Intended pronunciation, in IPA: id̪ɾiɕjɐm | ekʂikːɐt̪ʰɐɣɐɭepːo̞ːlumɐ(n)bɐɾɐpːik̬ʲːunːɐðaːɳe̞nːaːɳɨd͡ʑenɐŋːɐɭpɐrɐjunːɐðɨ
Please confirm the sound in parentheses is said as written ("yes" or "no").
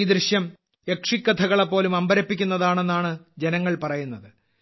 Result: no